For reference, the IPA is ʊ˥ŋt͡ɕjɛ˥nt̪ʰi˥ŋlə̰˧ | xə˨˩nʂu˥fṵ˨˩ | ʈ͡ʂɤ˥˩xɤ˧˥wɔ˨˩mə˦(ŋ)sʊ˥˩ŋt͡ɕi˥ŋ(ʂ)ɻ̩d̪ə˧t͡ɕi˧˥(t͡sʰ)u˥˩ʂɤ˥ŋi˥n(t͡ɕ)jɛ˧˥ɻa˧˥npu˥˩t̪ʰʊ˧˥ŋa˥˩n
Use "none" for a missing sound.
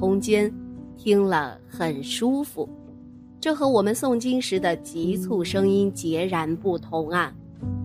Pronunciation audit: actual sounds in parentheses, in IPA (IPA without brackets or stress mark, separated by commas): n, ʂ, t͡sʰ, t͡ɕ